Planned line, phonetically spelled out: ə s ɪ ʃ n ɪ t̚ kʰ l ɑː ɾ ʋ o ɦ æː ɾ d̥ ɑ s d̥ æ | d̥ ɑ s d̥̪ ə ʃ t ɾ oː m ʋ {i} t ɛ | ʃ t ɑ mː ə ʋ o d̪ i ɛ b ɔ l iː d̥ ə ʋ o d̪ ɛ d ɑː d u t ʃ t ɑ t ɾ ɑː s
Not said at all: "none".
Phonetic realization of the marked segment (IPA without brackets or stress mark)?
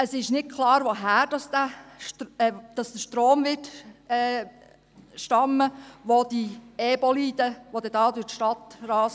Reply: ɪ